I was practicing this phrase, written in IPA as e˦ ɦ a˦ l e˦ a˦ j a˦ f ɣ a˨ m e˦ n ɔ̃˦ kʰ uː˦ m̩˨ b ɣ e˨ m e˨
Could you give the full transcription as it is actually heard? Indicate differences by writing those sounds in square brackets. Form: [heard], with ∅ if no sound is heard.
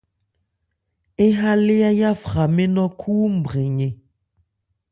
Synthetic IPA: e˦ ɦ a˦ l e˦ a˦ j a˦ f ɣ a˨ m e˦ n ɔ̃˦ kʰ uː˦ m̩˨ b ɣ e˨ [ɲ] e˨